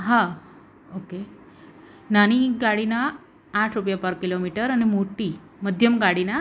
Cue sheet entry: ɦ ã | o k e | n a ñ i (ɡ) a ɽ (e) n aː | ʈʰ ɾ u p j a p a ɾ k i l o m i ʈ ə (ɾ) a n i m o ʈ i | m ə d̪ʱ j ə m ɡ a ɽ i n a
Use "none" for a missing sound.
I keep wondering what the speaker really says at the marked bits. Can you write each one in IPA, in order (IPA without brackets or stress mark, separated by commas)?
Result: ɡ, i, ɾ